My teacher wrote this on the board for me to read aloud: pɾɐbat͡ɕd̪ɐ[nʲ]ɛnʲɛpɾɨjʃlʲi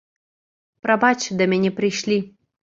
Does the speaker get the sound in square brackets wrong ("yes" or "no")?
yes